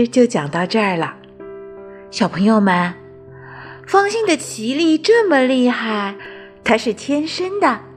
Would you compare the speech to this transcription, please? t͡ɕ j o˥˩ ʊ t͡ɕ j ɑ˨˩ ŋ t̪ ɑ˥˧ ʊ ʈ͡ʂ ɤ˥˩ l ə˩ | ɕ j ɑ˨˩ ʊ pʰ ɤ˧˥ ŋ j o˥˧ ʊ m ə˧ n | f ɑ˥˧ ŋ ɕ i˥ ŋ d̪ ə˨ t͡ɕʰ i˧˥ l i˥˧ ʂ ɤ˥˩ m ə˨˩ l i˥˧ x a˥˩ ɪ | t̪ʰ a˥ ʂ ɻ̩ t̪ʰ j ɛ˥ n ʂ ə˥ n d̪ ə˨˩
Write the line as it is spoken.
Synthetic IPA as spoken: t͡ɕ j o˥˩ ʊ t͡ɕ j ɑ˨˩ ŋ t̪ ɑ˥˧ ʊ ʈ͡ʂ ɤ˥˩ l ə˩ | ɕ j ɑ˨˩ ʊ pʰ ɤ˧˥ ŋ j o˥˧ ʊ m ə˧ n | f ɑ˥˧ ŋ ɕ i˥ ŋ d̪ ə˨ t͡ɕʰ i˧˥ l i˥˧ ʈ͡ʂ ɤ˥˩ m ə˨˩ l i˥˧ x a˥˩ ɪ | t̪ʰ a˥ ʂ ɻ̩ t̪ʰ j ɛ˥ n ʂ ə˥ n d̪ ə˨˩